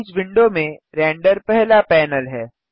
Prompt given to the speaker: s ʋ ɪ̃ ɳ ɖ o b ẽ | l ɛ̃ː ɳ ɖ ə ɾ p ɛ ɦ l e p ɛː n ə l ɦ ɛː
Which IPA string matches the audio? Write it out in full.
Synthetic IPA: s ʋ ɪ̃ ɳ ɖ o m ẽ | ɾ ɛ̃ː ɳ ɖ ə ɾ p ɛ ɦ l a p ɛː n ə l ɦ ɛː